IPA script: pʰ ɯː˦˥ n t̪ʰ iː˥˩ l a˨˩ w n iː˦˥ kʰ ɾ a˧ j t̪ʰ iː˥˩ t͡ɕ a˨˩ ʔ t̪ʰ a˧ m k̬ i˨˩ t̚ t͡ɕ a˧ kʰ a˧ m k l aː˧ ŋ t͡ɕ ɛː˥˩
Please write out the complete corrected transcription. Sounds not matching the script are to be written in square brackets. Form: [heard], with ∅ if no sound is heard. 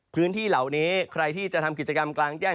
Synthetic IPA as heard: pʰ ɯː˦˥ n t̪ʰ iː˥˩ l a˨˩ w n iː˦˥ kʰ ɾ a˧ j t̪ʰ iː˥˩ t͡ɕ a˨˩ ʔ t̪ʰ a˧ m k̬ i˨˩ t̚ t͡ɕ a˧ [k] a˧ m k l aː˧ ŋ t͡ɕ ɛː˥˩